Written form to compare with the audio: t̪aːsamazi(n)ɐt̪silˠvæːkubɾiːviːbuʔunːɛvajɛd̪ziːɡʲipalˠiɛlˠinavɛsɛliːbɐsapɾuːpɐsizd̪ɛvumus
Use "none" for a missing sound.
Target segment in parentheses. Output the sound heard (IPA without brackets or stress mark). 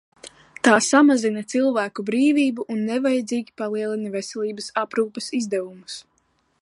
n